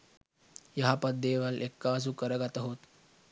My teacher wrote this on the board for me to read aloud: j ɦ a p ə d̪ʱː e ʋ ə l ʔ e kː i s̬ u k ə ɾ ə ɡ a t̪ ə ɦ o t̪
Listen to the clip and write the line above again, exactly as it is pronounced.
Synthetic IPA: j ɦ a p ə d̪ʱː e ʋ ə l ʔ e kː a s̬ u k ə ɾ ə ɡ a t̪ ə ɦ o t̪